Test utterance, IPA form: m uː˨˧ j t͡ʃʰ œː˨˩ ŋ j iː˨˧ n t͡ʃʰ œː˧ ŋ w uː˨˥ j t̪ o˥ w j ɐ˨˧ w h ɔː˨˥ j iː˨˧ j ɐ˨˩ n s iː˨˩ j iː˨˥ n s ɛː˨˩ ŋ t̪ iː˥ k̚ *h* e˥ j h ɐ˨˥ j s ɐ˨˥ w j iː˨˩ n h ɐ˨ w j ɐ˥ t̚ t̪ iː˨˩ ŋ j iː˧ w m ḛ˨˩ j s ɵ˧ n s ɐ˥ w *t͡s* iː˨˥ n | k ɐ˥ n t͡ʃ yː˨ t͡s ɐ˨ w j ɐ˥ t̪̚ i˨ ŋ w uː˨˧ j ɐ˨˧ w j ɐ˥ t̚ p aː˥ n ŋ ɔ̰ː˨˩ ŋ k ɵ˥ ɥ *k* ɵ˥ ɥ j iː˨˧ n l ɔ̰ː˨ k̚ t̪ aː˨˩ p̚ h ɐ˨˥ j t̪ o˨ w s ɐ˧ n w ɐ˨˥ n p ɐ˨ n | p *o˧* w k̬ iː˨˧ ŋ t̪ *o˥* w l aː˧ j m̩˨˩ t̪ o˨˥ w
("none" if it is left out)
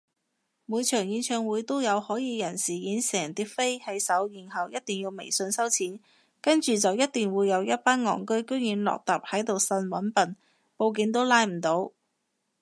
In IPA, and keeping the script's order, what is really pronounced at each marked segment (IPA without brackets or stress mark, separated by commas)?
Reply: f, t͡sʰ, k, o˧, o˥